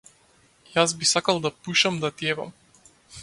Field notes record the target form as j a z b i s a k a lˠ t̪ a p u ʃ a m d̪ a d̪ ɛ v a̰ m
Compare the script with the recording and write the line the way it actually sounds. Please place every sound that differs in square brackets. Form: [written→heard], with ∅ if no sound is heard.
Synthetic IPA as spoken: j a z b i s a k a lˠ [t̪→d̪] a p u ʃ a m d̪ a [d̪→t̪] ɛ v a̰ m